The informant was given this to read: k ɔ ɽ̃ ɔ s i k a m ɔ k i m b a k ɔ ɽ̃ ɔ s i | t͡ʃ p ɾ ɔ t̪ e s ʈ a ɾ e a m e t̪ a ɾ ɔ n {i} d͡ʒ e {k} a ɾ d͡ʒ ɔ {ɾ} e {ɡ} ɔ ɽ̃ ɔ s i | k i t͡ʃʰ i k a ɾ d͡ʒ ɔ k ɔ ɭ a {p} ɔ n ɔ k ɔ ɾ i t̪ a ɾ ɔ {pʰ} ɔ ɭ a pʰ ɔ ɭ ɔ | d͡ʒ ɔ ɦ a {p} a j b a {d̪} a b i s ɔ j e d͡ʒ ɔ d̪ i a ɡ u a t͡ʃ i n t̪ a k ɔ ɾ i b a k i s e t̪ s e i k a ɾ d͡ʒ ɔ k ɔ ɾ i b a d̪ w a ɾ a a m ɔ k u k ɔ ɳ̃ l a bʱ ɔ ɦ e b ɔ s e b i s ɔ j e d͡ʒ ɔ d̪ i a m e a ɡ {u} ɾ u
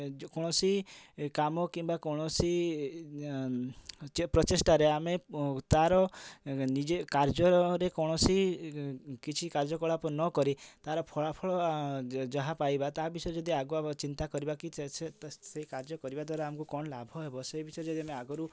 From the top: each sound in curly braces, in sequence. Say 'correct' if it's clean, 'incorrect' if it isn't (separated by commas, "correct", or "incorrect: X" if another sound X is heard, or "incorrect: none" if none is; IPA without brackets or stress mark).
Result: correct, correct, correct, incorrect: k, correct, correct, correct, incorrect: t̪, incorrect: ɔ